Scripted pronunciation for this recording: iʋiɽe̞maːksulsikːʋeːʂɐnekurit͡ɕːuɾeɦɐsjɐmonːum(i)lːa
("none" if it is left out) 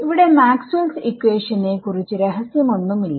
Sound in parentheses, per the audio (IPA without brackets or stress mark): i